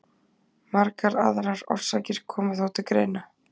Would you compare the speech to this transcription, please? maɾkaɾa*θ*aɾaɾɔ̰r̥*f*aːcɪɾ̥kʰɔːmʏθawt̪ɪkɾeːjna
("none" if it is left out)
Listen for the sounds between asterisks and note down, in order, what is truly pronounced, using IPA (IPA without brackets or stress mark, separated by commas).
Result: ð, s